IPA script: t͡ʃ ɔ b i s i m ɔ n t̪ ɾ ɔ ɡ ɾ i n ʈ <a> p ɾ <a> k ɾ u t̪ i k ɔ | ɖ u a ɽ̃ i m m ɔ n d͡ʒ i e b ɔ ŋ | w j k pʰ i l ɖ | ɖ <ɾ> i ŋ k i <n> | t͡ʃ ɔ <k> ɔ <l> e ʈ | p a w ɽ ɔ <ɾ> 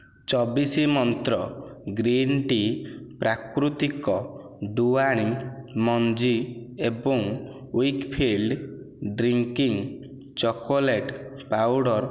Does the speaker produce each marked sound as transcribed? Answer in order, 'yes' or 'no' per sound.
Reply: no, yes, yes, no, yes, yes, yes

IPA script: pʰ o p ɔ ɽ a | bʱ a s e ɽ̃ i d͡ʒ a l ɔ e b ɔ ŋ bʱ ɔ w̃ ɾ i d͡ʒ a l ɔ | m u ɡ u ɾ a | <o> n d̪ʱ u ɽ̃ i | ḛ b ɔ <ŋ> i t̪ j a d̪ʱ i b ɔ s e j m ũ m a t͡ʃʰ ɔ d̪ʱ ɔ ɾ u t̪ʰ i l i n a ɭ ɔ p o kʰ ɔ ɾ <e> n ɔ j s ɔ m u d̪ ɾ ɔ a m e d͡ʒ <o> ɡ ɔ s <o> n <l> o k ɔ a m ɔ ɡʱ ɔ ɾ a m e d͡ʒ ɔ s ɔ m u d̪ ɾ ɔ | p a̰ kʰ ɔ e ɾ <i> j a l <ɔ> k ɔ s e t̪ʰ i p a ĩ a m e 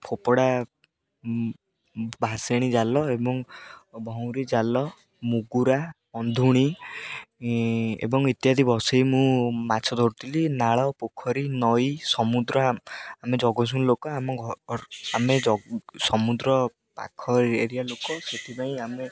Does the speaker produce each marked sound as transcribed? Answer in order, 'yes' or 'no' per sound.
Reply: no, yes, no, no, no, yes, yes, no

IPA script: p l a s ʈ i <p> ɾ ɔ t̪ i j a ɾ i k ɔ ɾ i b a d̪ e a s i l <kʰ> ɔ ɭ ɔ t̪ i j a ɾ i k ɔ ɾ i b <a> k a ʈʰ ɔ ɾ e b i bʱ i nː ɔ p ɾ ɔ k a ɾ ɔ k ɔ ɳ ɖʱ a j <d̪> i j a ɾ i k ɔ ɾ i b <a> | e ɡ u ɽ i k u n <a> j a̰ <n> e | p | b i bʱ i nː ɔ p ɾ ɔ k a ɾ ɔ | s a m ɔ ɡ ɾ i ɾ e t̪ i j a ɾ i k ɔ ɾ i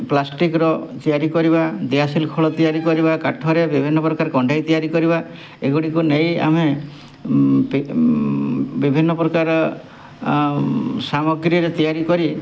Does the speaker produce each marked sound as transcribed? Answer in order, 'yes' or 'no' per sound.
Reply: no, yes, yes, no, yes, no, no

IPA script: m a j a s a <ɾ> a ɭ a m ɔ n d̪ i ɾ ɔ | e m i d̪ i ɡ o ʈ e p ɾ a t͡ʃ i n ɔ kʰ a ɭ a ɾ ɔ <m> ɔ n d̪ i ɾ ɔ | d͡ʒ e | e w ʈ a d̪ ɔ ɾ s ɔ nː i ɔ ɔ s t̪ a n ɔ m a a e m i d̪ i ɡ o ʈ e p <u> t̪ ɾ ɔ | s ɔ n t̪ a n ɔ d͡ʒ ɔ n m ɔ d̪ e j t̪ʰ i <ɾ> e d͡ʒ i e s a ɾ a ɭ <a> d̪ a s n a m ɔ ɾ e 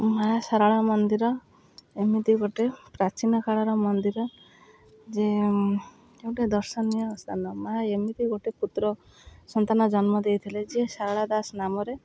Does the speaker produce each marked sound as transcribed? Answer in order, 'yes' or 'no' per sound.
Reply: yes, yes, yes, no, yes

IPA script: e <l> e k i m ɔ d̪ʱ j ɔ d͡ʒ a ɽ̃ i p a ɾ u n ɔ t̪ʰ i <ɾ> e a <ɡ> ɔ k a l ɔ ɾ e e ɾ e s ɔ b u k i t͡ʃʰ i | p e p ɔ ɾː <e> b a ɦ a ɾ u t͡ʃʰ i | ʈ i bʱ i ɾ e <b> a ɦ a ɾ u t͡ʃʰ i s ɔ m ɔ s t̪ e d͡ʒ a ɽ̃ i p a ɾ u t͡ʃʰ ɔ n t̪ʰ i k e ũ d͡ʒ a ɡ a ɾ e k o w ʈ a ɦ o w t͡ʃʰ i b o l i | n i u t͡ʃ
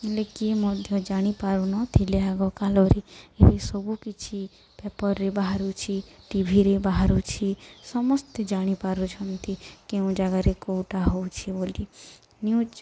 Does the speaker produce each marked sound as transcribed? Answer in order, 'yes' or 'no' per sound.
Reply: yes, no, yes, yes, yes

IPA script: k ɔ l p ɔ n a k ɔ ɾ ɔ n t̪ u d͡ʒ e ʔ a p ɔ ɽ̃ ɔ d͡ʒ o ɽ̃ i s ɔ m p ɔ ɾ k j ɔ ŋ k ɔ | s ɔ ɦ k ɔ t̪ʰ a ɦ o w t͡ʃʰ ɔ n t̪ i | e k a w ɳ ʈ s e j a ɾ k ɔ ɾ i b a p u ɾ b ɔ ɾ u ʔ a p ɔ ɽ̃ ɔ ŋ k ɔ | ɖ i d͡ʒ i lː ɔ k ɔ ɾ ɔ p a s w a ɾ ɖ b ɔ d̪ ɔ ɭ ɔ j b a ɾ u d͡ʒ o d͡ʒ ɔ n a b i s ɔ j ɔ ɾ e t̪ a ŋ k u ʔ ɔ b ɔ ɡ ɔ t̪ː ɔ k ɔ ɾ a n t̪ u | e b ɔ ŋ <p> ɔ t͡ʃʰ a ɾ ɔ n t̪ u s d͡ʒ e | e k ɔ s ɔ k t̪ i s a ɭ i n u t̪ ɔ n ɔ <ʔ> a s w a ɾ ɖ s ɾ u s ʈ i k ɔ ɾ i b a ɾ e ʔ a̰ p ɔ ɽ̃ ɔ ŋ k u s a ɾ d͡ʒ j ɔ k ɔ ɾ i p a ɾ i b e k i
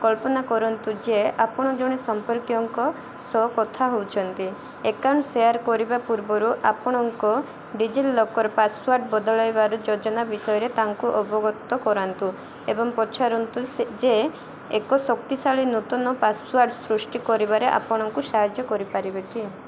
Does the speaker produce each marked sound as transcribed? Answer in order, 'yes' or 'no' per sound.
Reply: yes, no

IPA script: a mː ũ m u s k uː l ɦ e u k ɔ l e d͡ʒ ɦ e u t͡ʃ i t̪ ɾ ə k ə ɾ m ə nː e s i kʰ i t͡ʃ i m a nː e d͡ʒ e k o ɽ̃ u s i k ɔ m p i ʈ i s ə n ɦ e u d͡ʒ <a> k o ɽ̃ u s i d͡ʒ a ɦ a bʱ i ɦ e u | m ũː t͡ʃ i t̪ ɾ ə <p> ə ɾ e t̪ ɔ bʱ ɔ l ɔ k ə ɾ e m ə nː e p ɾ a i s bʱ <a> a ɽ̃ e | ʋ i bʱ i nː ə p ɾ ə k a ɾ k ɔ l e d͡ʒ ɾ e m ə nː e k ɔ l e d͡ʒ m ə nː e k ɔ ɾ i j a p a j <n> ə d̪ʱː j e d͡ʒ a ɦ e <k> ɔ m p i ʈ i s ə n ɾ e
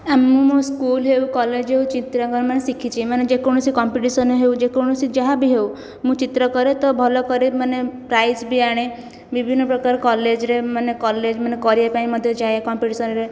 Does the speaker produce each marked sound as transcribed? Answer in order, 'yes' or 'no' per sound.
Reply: no, no, no, no, yes

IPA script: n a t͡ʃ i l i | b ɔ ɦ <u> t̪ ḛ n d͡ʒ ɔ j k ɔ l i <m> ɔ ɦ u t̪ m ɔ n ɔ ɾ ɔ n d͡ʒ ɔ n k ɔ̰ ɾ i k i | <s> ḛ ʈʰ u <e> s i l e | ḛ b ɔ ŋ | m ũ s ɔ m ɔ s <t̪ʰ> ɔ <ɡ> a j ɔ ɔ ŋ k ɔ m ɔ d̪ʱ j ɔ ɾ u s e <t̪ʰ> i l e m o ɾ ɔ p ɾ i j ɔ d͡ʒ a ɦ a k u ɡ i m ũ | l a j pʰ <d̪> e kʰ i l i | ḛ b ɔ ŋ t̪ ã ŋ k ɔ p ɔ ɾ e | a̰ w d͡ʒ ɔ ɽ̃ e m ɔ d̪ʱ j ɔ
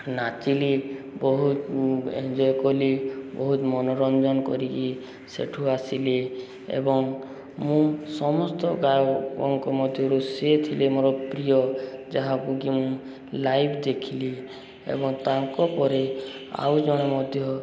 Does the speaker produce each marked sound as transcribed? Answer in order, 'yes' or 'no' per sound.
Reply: yes, no, yes, no, no, yes, yes, yes

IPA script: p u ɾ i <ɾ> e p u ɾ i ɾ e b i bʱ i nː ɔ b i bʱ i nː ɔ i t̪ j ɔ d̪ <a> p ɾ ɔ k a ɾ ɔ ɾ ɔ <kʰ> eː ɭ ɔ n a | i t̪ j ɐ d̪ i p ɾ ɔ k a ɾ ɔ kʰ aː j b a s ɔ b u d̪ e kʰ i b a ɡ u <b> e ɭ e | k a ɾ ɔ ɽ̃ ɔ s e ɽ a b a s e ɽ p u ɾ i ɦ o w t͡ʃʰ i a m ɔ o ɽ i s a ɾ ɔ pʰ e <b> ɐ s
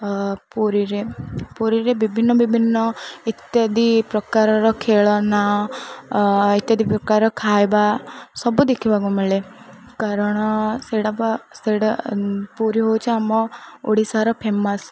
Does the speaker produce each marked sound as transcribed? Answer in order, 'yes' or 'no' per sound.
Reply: yes, no, yes, no, no

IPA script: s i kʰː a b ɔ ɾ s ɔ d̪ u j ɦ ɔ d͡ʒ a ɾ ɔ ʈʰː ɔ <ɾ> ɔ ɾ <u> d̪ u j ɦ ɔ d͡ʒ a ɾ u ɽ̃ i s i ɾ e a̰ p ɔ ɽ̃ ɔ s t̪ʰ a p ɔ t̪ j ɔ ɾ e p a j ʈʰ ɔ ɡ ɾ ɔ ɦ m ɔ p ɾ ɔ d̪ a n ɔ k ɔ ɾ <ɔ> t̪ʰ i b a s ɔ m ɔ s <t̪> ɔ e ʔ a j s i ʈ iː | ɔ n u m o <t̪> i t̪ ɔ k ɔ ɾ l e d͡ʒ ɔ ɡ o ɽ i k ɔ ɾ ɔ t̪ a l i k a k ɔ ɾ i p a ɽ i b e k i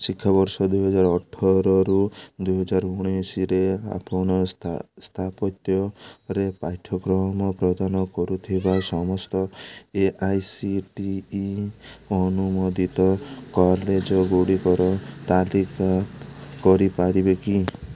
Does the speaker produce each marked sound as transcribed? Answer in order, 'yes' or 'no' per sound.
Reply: yes, yes, no, yes, no

